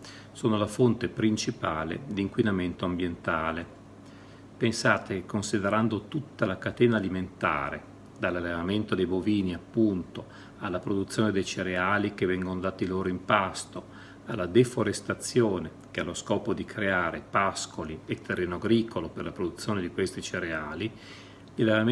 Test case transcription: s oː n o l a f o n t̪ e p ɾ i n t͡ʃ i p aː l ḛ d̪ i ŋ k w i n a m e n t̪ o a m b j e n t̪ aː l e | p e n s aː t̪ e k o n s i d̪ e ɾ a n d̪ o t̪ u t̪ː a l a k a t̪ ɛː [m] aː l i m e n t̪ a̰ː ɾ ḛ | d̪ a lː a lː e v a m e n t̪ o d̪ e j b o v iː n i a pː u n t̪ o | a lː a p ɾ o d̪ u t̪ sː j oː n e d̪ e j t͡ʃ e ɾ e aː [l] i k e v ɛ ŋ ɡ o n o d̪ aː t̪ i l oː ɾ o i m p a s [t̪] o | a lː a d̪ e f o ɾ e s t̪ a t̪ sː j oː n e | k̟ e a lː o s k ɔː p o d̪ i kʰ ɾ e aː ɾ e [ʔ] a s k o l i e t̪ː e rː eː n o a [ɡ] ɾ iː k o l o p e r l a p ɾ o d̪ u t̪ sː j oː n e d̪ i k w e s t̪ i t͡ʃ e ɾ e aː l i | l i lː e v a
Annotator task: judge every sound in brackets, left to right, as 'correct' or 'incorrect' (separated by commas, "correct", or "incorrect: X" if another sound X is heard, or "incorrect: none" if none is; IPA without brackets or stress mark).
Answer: incorrect: n, correct, correct, incorrect: p, correct